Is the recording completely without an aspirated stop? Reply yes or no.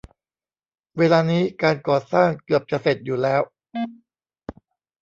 yes